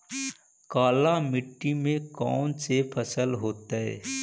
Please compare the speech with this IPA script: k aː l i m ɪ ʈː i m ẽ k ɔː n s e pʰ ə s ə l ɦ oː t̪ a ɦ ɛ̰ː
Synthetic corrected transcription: k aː l a m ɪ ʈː i m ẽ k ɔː n s e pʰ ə s ə l ɦ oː t̪ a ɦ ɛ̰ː